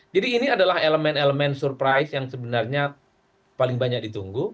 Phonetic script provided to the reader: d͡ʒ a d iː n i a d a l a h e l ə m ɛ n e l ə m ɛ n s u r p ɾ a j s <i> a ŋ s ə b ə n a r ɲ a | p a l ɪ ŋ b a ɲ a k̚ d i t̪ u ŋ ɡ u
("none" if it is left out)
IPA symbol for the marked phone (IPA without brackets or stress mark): j